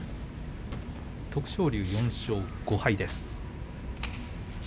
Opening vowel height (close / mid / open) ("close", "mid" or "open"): mid